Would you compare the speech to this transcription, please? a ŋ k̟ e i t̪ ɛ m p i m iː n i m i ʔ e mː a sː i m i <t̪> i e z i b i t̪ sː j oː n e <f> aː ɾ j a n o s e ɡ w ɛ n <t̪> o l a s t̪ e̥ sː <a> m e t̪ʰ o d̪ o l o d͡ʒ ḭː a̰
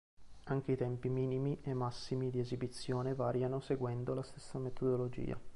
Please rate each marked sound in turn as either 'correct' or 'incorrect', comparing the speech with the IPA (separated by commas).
incorrect, incorrect, incorrect, correct